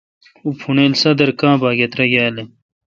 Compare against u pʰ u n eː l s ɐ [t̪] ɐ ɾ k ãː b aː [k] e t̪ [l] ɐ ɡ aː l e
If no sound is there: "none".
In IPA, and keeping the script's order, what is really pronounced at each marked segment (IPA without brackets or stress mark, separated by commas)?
d̪, ɡ, ɾ